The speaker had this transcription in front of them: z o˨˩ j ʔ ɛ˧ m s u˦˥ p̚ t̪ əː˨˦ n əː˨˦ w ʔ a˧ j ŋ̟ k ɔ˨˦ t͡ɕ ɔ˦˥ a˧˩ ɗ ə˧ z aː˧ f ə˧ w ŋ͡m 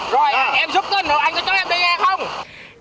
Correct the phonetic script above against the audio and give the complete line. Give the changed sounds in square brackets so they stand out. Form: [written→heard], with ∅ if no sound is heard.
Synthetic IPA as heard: z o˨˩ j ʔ ɛ˧ m [s→z] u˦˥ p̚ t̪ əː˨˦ n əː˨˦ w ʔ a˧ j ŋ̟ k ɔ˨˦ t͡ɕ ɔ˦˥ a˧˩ ɗ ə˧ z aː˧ [f→x] ə˧ w ŋ͡m

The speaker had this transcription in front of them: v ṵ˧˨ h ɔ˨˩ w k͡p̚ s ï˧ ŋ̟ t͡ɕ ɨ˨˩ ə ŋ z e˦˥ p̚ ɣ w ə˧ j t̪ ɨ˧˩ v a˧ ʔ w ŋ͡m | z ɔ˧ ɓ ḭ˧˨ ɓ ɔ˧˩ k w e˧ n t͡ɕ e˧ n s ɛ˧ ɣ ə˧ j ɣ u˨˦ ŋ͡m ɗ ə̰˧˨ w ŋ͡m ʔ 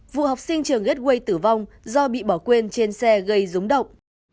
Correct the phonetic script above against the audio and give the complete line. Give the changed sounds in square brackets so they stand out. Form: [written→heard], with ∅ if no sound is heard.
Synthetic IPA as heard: v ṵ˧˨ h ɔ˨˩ w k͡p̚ s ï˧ ŋ̟ t͡ɕ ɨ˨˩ ə ŋ [z→ɣ] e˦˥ [p̚→t̚] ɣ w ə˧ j t̪ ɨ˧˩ v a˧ [ʔ→∅] w ŋ͡m | z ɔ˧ ɓ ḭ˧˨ ɓ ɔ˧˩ k w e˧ n t͡ɕ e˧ n s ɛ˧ ɣ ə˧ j [ɣ→z] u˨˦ ŋ͡m ɗ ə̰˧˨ w ŋ͡m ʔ

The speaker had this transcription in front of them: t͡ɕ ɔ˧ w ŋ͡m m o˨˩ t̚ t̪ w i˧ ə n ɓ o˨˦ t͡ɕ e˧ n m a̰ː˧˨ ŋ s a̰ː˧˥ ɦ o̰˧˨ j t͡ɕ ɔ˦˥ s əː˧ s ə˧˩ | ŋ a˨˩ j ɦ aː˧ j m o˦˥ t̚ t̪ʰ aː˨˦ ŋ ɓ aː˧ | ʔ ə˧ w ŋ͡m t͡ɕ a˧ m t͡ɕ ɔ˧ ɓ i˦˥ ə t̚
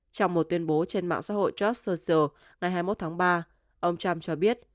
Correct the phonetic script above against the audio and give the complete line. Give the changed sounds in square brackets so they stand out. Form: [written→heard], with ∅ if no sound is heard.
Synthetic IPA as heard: t͡ɕ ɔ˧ w ŋ͡m m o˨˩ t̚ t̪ w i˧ ə n ɓ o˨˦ t͡ɕ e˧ n m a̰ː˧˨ ŋ s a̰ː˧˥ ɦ o̰˧˨ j t͡ɕ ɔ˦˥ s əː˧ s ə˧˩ | ŋ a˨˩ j ɦ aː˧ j m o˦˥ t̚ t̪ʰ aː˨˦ ŋ ɓ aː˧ | ʔ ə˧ w ŋ͡m t͡ɕ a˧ m t͡ɕ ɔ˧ ɓ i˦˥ ə t̚

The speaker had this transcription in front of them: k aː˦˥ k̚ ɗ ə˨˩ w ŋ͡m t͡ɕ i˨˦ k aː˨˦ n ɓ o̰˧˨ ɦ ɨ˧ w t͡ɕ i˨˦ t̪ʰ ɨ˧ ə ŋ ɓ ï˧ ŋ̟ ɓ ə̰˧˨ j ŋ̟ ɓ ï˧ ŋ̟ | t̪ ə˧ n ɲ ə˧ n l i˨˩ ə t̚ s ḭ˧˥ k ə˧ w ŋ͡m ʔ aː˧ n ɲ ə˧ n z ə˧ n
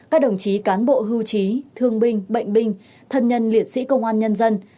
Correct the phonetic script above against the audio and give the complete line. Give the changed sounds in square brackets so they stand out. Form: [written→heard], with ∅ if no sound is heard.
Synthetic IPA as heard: k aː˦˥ k̚ ɗ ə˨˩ w ŋ͡m t͡ɕ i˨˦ k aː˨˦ n ɓ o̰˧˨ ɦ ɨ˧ w t͡ɕ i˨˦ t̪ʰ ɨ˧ ə ŋ ɓ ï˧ ŋ̟ ɓ ə̰˧˨ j ŋ̟ ɓ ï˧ ŋ̟ | [t̪→t̪ʰ] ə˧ n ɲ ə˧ n l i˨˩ ə t̚ s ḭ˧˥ k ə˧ w ŋ͡m ʔ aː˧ n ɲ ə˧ n z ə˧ n

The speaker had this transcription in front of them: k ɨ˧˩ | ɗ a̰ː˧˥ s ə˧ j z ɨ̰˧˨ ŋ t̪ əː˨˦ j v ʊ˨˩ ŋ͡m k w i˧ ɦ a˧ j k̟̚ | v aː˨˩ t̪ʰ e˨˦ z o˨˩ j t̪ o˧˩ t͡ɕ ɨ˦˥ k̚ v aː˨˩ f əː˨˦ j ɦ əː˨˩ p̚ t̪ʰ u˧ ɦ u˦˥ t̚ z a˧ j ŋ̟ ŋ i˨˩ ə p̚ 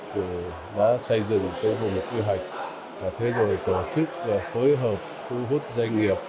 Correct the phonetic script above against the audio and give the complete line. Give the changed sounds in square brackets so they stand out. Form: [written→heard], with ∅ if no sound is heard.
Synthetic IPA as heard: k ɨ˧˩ | ɗ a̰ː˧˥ s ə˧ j z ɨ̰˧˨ ŋ t̪ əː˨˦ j v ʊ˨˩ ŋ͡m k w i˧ ɦ [a˧→a˨˩] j k̟̚ | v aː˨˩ t̪ʰ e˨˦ z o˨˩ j t̪ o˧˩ t͡ɕ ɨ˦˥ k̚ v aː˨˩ f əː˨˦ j ɦ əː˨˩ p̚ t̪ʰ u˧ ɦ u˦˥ t̚ z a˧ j ŋ̟ ŋ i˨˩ ə p̚

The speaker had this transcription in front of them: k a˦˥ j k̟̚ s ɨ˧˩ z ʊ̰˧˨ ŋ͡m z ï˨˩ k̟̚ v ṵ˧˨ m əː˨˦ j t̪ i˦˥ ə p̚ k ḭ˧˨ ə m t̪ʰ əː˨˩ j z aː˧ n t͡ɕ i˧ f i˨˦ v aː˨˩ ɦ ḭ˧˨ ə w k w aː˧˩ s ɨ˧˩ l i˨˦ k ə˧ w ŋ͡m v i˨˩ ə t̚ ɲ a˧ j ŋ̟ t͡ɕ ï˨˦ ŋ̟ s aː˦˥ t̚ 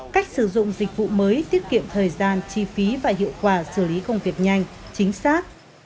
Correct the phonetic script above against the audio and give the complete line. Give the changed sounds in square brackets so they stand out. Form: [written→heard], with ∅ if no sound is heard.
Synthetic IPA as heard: k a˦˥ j k̟̚ s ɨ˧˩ z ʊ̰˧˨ ŋ͡m z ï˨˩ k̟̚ v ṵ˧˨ m əː˨˦ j t̪ i˦˥ ə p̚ k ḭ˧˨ ə m t̪ʰ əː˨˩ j z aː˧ n t͡ɕ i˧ f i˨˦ v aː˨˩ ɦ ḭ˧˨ ə w k w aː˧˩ s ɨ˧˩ l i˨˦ k ə˧ w ŋ͡m v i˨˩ ə [t̚→k̚] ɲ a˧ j ŋ̟ t͡ɕ ï˨˦ ŋ̟ s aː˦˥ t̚

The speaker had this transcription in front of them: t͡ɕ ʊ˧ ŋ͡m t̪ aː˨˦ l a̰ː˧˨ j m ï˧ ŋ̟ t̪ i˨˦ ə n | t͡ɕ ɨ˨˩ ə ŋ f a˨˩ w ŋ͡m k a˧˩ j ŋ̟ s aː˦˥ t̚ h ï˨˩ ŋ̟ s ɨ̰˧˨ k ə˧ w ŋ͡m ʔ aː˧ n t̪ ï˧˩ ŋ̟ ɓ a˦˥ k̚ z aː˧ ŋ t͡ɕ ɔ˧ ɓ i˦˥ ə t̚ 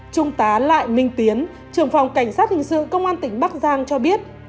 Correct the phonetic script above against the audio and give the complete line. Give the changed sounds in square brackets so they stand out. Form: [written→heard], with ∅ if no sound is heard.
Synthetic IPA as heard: t͡ɕ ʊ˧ ŋ͡m t̪ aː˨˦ l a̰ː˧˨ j m ï˧ ŋ̟ t̪ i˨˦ ə n | t͡ɕ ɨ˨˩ ə ŋ f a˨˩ w ŋ͡m k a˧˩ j ŋ̟ s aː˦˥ t̚ h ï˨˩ ŋ̟ s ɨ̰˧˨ k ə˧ w ŋ͡m ʔ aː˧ n t̪ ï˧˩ ŋ̟ ɓ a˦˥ k̚ z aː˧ ŋ t͡ɕ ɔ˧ ɓ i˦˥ ə t̚

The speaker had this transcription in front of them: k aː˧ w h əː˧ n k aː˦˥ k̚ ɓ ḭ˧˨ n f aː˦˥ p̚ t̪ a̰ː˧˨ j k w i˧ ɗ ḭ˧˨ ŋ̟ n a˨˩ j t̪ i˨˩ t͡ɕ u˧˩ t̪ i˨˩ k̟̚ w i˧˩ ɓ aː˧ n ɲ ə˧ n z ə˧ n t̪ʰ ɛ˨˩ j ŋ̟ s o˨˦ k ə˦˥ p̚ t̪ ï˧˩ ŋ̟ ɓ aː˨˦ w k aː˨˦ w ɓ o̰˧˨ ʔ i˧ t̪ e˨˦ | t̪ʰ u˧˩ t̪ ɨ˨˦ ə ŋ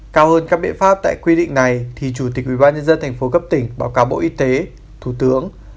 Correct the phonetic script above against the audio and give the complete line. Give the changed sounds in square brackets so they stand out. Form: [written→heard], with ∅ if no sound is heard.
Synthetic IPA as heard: k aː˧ w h əː˧ n k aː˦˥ k̚ ɓ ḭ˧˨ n f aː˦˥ p̚ t̪ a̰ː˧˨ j k w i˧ ɗ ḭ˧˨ ŋ̟ n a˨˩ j [t̪→t̪ʰ] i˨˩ t͡ɕ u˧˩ t̪ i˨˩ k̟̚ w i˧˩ ɓ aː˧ n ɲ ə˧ n z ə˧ n t̪ʰ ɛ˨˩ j ŋ̟ [s→f] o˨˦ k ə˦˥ p̚ t̪ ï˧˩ ŋ̟ ɓ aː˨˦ w k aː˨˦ w ɓ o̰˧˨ ʔ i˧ t̪ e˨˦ | t̪ʰ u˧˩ t̪ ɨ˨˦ ə ŋ

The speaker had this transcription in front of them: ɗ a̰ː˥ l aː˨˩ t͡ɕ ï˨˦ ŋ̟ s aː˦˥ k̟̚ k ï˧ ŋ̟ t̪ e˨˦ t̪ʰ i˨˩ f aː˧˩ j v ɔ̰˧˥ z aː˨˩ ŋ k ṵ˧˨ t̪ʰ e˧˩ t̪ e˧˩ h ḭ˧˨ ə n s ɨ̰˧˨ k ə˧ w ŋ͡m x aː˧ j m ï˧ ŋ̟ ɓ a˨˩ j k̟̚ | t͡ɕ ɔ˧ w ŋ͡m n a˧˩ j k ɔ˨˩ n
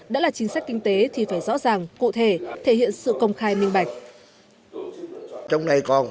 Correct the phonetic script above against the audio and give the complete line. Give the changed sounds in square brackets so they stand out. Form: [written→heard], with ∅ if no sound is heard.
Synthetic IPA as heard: ɗ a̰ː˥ l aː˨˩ t͡ɕ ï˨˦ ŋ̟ s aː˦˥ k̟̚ k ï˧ ŋ̟ t̪ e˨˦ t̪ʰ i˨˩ f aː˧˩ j [v→z] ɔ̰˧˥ z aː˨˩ ŋ k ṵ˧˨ t̪ʰ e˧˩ [t̪→t̪ʰ] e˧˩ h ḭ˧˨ ə n s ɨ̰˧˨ k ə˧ w ŋ͡m x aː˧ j m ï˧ ŋ̟ ɓ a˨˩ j k̟̚ | t͡ɕ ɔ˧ w ŋ͡m n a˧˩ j k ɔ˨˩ n

